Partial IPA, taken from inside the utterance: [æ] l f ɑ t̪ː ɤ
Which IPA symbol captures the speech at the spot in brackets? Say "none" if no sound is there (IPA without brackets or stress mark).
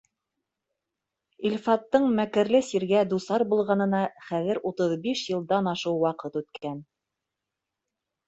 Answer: i